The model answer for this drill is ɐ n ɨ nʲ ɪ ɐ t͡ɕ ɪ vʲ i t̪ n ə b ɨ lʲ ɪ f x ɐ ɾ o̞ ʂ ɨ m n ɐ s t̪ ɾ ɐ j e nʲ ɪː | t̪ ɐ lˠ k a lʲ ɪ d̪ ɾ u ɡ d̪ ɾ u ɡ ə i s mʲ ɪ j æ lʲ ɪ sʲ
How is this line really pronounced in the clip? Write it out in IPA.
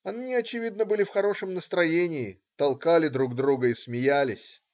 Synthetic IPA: ɐ n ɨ nʲ ɪ ɐ t͡ɕ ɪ vʲ i d̪ n ə b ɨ lʲ ɪ f x ɐ ɾ o̞ ʂ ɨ m n ə s t̪ ɾ ɐ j e nʲ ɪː | t̪ ɐ lˠ k a lʲ ɪ d̪ ɾ u ɡ d̪ ɾ u ɡ ə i s mʲ ɪ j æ lʲ ɪ sʲ